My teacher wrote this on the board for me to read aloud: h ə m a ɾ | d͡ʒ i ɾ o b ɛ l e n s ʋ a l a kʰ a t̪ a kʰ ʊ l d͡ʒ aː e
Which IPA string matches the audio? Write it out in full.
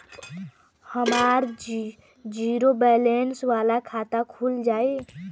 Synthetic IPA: h ə m a ɾ | d͡ʒ i ɾ o b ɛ l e n s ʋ a l a kʰ a t̪ a kʰ u l d͡ʒ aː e